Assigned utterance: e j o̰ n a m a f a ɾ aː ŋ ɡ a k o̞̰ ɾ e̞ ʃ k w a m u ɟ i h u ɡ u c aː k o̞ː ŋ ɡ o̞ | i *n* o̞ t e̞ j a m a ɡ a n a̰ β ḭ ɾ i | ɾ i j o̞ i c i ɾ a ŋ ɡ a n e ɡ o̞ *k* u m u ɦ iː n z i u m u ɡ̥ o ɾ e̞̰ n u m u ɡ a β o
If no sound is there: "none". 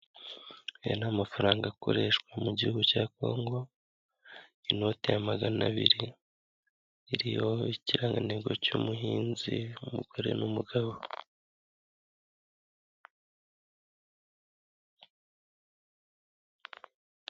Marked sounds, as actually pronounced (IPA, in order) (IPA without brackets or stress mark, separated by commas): n, c